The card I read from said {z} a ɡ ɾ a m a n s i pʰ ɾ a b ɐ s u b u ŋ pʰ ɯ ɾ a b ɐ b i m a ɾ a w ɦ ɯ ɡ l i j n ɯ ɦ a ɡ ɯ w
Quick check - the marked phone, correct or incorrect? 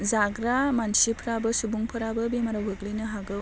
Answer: correct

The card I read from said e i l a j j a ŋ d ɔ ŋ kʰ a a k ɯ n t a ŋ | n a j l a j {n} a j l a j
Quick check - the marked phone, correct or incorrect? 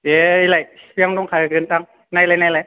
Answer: correct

